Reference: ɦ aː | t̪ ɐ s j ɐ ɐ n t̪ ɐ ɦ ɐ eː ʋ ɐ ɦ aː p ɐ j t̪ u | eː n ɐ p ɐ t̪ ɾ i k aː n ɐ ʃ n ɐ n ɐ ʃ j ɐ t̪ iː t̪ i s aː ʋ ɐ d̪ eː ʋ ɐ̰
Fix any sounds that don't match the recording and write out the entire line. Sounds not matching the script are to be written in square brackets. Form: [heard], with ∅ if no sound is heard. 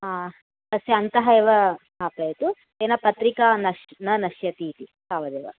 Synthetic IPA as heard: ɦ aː | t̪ ɐ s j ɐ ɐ n t̪ ɐ ɦ ɐ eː ʋ ɐ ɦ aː p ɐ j t̪ u | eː n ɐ p ɐ t̪ ɾ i k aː n ɐ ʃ n ɐ n ɐ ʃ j ɐ t̪ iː t̪ i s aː ʋ ɐ d̪ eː ʋ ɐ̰